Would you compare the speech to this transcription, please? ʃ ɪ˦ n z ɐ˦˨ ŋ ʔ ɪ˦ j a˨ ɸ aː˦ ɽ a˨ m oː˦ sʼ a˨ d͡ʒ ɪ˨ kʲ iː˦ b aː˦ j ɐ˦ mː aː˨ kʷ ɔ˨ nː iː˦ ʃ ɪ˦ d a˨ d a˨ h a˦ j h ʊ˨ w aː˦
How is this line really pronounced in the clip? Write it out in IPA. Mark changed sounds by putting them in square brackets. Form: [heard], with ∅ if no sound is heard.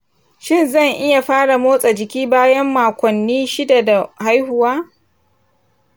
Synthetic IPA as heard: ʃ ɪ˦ n z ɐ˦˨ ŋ ʔ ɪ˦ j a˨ ɸ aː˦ ɽ a˨ m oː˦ sʼ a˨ d͡ʒ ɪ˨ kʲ iː˦ b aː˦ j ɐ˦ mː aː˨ kʷ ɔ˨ nː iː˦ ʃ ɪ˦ d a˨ d a˨ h a˦ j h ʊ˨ w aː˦